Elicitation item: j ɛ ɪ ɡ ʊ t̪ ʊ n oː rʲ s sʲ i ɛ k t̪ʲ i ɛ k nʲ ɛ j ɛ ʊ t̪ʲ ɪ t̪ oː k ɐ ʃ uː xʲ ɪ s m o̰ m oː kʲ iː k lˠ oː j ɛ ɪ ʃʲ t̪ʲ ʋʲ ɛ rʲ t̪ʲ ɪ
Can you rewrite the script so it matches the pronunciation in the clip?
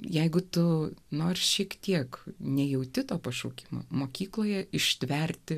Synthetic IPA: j ɛ ɪ ɡ ʊ t̪ ʊ n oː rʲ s ʃʲ i ɛ k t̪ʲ i ɛ k nʲ ɛ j ɛ ʊ t̪ʲ ɪ t̪ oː p ɐ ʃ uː kʲ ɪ m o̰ m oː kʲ iː k lˠ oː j ɛ ɪ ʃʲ t̪ʲ ʋʲ ɛ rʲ t̪ʲ ɪ

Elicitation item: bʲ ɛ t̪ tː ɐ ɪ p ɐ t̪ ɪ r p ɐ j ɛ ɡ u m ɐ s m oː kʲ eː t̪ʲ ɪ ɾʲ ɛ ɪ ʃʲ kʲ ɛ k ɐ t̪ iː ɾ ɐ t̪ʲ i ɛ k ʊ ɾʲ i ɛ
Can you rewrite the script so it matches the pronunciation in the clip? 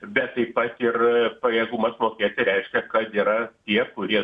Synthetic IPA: bʲ ɛ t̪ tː ɐ ɪ p ɐ t̪ ɪ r p ɐ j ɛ ɡ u m ɐ s m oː kʲ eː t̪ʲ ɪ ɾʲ ɛ ɪ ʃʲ kʲ ɛ k ɐ t̪ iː ɾ ɐ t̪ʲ i ɛ k ʊ ɾʲ i ɛ

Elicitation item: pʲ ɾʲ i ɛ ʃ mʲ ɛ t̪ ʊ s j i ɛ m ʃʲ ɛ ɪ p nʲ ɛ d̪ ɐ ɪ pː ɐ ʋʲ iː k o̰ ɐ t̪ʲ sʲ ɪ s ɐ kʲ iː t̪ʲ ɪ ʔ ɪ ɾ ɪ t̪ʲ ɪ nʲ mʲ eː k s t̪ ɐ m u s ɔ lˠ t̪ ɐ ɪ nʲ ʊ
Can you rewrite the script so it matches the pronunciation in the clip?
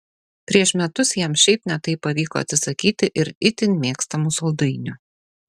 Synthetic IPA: pʲ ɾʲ i ɛ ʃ mʲ ɛ t̪ ʊ s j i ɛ m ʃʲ ɛ ɪ p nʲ ɛ t̪ ɐ ɪ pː ɐ ʋʲ iː k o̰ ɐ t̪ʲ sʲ ɪ s ɐ kʲ iː t̪ʲ ɪ ʔ ɪ ɾ ɪ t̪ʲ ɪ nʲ mʲ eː k s t̪ ɐ m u s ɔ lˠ d̪ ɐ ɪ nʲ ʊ

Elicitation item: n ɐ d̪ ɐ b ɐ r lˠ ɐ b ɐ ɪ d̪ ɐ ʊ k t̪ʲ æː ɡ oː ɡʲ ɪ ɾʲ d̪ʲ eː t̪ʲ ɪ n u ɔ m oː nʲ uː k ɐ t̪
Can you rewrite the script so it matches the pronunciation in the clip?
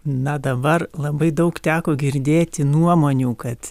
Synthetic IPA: n ɐ d̪ ɐ b ɐ r lˠ ɐ b ɐ ɪ d̪ ɐ ʊ k t̪ʲ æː k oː ɡʲ ɪ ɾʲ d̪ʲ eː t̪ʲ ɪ n u ɔ m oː nʲ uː k ɐ t̪

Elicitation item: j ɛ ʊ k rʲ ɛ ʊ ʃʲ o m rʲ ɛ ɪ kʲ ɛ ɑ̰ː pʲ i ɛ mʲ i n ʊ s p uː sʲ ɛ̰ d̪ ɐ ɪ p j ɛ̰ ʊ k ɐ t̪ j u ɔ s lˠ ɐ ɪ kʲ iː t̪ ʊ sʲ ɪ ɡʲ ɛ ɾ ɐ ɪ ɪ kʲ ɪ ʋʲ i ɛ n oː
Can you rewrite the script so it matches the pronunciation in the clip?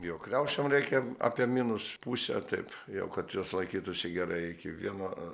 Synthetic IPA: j ɛ ʊ k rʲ ɛ ʊ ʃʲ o m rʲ ɛ ɪ kʲ ɛ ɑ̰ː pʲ i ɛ mʲ i n ʊ s p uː sʲ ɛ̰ t̪ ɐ ɪ p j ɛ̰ ʊ k ɐ t̪ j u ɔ s lˠ ɐ ɪ kʲ iː t̪ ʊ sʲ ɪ ɡʲ ɛ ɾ ɐ ɪ ɪ kʲ ɪ ʋʲ i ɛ n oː

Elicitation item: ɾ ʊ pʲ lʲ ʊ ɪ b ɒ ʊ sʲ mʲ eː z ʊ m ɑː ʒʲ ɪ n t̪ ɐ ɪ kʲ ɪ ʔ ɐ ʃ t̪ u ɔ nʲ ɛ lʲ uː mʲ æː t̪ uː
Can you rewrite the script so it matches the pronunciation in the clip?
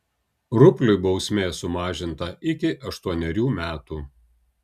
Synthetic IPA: ɾ ʊ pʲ lʲ ʊ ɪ b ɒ ʊ sʲ mʲ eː s ʊ m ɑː ʒʲ ɪ n t̪ ɐ ɪ kʲ ɪ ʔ ɐ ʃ t̪ u ɔ nʲ ɛ ɾʲ uː mʲ æː t̪ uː

